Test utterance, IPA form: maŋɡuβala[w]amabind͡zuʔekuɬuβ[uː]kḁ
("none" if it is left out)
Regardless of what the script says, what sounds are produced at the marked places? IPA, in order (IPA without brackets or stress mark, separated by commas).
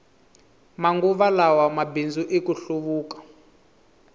w, uː